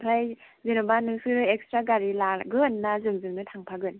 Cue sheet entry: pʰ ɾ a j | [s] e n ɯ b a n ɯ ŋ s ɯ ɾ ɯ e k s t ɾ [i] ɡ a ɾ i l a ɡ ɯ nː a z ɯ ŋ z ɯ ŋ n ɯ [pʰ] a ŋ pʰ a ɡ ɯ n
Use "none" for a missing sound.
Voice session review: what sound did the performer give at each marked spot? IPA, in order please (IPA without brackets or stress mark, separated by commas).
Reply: z, a, tʰ